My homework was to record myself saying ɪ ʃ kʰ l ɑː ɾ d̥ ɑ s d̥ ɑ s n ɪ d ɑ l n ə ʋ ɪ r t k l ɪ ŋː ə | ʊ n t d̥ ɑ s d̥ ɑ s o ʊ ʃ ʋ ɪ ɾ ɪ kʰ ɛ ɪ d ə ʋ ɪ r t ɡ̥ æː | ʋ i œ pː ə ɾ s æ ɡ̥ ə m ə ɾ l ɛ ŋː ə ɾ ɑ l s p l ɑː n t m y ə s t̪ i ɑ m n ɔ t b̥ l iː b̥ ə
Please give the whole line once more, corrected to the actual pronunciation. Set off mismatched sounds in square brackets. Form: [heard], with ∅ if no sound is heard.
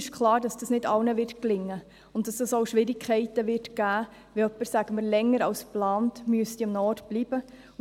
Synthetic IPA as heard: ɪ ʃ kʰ l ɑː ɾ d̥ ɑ s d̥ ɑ s n ɪ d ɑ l n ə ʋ ɪ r t k l ɪ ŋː ə | ʊ n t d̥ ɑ s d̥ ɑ s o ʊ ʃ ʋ ɪ ɾ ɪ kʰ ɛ ɪ [t] ə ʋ ɪ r t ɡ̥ æː | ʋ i œ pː ə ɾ s æ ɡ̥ ə m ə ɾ l ɛ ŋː ə ɾ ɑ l s p l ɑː n t m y ə s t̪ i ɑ m n ɔ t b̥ l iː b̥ ə